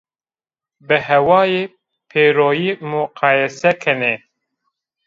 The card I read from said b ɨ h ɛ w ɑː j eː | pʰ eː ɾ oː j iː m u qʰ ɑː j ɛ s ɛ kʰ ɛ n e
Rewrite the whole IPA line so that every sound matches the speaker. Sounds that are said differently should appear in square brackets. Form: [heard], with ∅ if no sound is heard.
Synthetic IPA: b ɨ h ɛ w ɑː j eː | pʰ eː ɾ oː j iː m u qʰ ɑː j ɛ s ɛ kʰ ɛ n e